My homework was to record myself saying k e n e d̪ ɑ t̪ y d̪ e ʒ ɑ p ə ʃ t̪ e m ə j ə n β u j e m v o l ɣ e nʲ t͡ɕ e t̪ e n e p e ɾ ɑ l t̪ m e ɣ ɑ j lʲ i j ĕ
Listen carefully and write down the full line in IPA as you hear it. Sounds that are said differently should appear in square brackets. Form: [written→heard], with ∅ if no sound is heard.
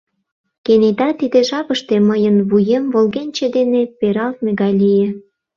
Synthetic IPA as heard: k e n e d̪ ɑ t̪ [y→i] d̪ e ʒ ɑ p ə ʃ t̪ e m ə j ə n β u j e m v o l ɣ e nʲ t͡ɕ e [t̪→d̪] e n e p e ɾ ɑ l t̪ m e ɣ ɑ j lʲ i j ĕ